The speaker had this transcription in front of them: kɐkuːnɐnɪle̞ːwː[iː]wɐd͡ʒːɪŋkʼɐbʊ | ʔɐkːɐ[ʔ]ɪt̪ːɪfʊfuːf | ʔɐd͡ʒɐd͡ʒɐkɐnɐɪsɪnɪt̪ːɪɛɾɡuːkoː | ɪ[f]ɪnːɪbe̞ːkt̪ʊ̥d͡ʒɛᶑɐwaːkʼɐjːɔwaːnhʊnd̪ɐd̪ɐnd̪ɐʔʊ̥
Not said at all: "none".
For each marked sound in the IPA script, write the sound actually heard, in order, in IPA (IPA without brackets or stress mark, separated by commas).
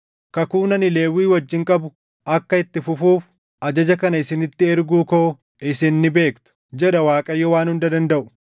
iː, none, s